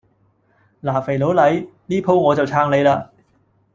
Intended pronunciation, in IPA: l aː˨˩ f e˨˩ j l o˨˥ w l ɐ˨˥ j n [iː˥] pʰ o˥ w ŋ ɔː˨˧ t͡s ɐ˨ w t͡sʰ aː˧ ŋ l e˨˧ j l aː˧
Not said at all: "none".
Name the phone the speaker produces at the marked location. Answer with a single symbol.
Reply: iː˥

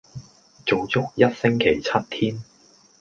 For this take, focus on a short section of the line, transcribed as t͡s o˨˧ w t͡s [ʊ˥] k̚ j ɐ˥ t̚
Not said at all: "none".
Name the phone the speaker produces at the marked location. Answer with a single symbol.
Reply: ʊ˥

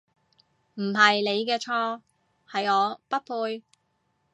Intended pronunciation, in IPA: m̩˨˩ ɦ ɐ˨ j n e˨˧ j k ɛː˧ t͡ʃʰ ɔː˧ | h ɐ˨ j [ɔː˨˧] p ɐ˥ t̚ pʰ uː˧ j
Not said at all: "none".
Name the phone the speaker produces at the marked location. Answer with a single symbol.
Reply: ɔː˨˧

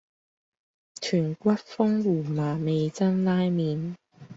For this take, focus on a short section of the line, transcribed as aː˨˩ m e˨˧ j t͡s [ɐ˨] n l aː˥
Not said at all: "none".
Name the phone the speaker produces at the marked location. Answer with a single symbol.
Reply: ɐ˥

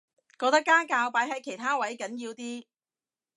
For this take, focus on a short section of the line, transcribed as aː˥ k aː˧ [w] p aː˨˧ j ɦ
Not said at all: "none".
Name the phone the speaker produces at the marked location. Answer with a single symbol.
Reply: w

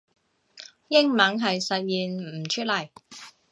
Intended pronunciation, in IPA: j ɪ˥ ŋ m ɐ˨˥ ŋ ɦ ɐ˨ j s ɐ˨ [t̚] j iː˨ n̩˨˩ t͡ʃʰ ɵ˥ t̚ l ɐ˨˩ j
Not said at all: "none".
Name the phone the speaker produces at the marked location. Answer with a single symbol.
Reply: t̚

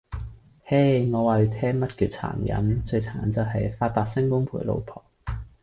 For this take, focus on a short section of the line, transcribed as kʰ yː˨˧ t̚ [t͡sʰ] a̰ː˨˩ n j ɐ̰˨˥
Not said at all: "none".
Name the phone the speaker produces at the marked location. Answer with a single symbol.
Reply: t͡sʰ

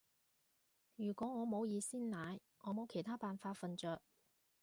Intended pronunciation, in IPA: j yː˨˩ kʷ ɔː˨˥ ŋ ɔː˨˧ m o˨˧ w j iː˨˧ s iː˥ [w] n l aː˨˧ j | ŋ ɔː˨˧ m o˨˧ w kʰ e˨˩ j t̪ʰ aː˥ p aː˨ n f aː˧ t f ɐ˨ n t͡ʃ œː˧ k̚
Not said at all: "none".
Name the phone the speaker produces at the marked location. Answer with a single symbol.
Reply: none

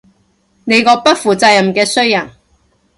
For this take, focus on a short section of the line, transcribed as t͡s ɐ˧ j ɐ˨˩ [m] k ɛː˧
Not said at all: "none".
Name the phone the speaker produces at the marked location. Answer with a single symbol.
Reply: m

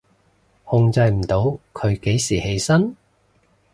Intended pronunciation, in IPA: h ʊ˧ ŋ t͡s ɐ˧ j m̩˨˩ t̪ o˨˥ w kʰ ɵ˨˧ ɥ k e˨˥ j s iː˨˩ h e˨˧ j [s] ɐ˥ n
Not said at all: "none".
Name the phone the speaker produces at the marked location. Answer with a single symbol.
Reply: s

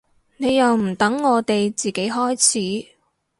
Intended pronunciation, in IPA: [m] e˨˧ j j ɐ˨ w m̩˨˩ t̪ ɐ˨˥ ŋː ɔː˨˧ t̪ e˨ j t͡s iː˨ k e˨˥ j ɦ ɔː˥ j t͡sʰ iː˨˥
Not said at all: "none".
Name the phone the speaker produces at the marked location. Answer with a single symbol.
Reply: n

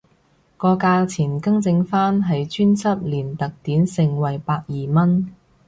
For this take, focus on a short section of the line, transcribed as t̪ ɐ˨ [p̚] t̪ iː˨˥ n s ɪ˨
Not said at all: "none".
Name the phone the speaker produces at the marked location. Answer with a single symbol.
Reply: k̚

